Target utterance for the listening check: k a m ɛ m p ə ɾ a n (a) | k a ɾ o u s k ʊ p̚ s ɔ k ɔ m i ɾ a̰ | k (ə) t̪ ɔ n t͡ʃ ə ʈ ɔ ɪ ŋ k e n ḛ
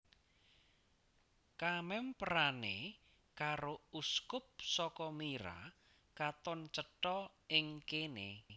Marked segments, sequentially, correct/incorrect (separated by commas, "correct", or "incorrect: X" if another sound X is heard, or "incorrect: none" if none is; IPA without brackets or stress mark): incorrect: e, incorrect: a